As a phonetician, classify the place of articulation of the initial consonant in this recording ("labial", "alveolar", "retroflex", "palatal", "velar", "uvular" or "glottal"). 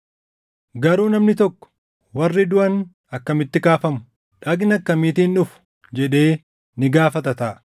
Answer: velar